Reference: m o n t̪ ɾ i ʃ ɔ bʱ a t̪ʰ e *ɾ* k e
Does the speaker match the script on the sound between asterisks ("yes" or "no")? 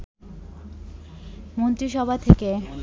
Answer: no